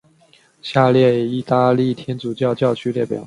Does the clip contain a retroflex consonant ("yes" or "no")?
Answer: no